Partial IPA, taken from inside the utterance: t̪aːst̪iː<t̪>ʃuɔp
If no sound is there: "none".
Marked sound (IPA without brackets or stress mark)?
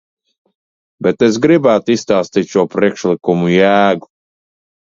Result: t̪